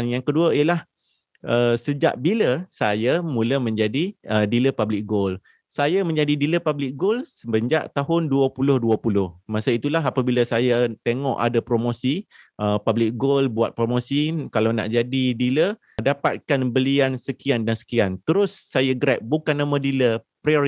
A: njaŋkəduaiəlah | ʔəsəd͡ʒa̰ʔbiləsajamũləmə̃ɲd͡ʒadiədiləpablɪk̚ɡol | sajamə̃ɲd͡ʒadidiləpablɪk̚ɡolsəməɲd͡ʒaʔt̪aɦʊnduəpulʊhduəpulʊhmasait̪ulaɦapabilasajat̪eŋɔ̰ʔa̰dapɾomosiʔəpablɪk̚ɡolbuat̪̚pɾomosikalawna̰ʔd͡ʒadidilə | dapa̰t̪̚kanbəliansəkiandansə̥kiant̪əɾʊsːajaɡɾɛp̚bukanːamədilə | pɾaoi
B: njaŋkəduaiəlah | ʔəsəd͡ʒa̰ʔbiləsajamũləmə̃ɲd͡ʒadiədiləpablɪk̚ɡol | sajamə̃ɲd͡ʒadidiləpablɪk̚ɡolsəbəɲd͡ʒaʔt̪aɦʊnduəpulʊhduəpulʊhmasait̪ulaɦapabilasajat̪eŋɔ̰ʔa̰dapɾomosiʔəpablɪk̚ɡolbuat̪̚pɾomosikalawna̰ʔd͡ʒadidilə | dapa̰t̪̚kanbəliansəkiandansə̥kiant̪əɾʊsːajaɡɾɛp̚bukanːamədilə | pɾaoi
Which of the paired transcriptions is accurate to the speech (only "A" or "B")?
B